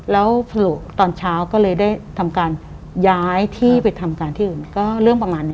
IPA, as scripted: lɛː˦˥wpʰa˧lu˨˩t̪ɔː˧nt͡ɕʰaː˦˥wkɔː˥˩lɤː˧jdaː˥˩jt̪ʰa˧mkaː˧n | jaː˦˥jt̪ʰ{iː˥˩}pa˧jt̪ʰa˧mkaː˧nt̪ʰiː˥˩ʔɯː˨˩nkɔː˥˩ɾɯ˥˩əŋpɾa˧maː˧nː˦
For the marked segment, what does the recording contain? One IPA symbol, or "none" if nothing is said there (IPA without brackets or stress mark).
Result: iː˥˩